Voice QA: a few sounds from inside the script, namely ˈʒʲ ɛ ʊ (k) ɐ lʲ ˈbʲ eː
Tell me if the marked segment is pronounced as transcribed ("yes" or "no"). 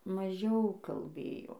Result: yes